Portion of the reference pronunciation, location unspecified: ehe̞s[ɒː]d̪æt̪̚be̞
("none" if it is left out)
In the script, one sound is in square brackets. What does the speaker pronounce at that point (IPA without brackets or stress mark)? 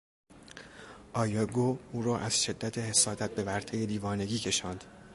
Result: ɒː